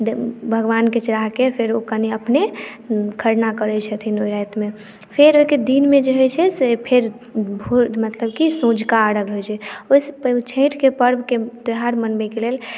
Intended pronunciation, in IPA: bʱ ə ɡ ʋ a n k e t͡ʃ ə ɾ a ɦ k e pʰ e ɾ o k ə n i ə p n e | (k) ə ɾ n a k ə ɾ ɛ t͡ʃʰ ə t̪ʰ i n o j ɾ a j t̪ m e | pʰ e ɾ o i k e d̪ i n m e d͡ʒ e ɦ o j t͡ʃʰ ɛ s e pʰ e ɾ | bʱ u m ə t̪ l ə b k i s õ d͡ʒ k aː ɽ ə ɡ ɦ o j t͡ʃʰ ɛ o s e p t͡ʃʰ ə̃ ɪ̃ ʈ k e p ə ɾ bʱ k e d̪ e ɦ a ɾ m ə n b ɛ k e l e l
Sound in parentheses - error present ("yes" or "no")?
yes